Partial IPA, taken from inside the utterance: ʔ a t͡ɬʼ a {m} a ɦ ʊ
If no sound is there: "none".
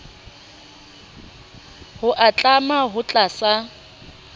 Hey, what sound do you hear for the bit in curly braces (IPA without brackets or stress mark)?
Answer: m